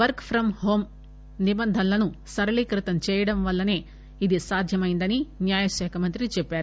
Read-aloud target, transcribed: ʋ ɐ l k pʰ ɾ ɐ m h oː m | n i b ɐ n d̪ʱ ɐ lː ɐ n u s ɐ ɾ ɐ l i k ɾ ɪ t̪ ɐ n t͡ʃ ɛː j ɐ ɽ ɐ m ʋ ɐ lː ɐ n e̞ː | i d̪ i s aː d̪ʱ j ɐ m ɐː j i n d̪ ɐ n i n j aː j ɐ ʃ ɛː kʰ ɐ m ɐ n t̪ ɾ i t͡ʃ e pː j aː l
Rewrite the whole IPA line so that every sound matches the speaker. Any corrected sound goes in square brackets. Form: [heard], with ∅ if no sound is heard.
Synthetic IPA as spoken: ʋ ɐ [ɾ] k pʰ ɾ ɐ m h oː m | n i b ɐ n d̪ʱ ɐ lː ɐ n u s ɐ ɾ ɐ l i k ɾ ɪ t̪ ɐ n t͡ʃ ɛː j ɐ ɽ ɐ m ʋ ɐ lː ɐ n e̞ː | i d̪ i s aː d̪ʱ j ɐ m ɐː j i n d̪ ɐ n i n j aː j ɐ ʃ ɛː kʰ ɐ m ɐ n t̪ ɾ i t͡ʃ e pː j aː [ɾ]

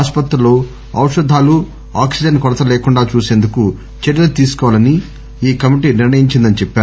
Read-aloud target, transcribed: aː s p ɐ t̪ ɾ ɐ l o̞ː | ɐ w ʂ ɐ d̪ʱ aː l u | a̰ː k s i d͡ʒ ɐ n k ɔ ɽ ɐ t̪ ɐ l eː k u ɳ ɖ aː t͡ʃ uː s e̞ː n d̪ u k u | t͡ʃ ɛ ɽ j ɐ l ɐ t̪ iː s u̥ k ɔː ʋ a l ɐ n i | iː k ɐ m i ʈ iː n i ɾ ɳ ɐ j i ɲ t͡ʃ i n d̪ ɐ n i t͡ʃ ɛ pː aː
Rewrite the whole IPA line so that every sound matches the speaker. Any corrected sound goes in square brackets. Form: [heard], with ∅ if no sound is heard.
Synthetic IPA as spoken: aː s p ɐ t̪ ɾ ɐ l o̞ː | ɐ w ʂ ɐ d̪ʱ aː l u | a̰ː k s i d͡ʒ ɐ n k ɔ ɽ ɐ t̪ ɐ l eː k u ɳ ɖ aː t͡ʃ uː s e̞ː n d̪ u k u | t͡ʃ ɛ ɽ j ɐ l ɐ t̪ iː s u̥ k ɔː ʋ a l ɐ n i | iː k ɐ m i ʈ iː n i ɾ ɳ ɐ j i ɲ t͡ʃ i n d̪ ɐ n i t͡ʃ ɛ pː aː

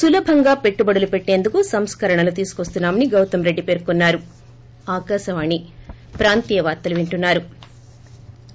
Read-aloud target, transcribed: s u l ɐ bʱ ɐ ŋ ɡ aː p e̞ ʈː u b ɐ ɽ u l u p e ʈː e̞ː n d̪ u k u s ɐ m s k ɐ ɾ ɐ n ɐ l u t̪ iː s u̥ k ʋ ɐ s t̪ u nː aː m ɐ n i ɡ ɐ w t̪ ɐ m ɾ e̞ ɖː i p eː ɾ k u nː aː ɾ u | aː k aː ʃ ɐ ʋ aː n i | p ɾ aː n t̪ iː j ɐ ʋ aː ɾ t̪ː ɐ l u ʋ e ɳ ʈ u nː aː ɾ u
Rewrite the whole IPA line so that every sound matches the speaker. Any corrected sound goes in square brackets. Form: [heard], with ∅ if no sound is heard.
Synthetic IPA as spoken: s u l ɐ bʱ ɐ ŋ ɡ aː p e̞ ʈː u b ɐ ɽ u l u p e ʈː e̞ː n d̪ u k u s ɐ m s k ɐ ɾ ɐ [ɳ] ɐ l u t̪ iː s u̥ k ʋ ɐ s t̪ u nː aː m ɐ n i ɡ ɐ w t̪ ɐ m ɾ e̞ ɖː i p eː ɾ k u nː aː ɾ u | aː k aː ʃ ɐ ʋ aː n i | p ɾ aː n t̪ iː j ɐ ʋ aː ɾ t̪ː ɐ l u ʋ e ɳ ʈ u nː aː ɾ u

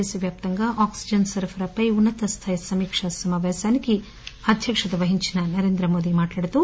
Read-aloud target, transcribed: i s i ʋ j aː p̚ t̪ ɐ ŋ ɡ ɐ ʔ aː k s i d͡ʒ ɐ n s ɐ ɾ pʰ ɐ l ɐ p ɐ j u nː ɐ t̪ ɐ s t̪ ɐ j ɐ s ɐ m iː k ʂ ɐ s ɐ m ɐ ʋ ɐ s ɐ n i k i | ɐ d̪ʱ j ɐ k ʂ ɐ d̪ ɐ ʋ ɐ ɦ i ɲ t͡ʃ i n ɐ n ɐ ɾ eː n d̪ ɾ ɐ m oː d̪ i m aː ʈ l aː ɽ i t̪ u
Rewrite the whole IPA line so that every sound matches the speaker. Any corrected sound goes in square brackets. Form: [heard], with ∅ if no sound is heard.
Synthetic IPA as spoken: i s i ʋ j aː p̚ t̪ ɐ ŋ ɡ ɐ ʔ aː k s i d͡ʒ ɐ n s ɐ ɾ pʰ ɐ [ɾ] ɐ p ɐ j u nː ɐ t̪ ɐ s [t̪ʰ] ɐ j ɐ s ɐ m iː k ʂ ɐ s ɐ m ɐ ʋ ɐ s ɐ n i k i | ɐ d̪ʱ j ɐ k ʂ ɐ d̪ ɐ ʋ ɐ ɦ i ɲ t͡ʃ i n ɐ n ɐ ɾ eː n d̪ ɾ ɐ m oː d̪ i m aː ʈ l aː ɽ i t̪ u

